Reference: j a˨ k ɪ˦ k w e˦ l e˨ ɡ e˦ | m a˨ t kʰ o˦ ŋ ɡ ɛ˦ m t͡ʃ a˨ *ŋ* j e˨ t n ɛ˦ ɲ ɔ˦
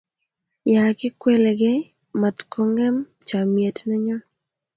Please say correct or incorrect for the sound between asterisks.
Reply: incorrect